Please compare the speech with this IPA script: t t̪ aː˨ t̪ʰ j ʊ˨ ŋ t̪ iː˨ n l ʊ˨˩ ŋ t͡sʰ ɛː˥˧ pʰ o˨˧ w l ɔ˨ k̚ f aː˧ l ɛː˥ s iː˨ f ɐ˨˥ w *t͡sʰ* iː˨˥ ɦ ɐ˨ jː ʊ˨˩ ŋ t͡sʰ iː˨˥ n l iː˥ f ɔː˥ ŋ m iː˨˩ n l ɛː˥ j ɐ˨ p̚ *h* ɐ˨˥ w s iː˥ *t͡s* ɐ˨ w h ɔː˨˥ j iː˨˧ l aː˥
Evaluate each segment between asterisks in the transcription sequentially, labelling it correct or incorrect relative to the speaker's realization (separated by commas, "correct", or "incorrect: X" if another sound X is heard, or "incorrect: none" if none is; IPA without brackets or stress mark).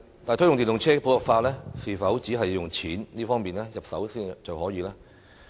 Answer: incorrect: t͡s, incorrect: s, correct